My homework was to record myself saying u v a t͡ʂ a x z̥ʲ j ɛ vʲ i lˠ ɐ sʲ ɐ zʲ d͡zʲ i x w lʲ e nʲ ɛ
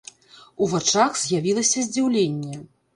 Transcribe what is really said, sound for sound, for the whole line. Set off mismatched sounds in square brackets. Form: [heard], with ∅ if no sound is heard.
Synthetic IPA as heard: u v a t͡ʂ a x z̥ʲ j [a] vʲ i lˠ ɐ sʲ ɐ zʲ d͡zʲ i [∅] w lʲ e [nʲː] ɛ